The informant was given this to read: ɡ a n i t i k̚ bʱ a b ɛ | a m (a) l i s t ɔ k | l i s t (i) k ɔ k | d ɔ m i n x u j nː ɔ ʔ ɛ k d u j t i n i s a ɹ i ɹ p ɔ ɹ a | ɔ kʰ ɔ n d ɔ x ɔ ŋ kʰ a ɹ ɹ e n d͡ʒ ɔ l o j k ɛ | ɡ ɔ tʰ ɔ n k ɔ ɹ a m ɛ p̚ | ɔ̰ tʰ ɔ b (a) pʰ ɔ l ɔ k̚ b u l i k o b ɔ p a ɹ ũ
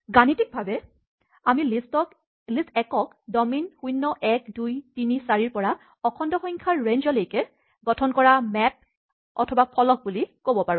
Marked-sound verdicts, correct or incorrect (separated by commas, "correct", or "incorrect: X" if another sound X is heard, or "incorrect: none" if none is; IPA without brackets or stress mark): incorrect: i, incorrect: ɛ, correct